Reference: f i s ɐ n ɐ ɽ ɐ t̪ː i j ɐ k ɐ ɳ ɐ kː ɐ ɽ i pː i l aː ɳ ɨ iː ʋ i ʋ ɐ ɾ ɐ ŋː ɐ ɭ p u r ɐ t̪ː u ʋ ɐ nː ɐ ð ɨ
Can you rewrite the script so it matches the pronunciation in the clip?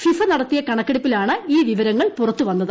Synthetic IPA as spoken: f i f ɐ n ɐ ɽ ɐ t̪ː i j ɐ k ɐ ɳ ɐ kː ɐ ɽ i pː i l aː ɳ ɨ iː ʋ i ʋ ɐ ɾ ɐ ŋː ɐ ɭ p u r ɐ t̪ː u ʋ ɐ nː ɐ ð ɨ